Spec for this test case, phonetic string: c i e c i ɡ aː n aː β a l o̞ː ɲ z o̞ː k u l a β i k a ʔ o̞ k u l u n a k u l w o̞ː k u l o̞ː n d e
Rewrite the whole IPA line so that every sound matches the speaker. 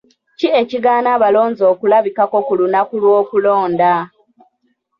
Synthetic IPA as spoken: c i e c i ɡ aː n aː β a l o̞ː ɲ z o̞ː k u l a β i k a k o̞ k u l u n a k u l w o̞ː k u l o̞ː n d a